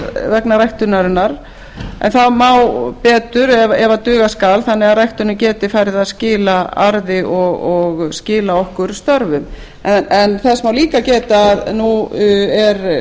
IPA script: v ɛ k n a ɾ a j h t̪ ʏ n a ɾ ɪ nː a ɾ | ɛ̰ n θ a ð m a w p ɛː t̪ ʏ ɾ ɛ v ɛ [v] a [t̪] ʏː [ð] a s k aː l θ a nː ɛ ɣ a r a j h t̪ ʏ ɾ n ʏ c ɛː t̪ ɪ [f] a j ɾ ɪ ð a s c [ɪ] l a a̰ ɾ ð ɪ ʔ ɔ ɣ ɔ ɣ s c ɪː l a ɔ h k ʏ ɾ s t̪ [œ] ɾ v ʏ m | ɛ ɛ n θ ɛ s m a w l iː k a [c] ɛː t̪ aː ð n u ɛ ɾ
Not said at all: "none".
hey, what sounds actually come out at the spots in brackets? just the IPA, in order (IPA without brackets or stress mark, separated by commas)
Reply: v, t̪, ɣ, f, ɪː, œ, c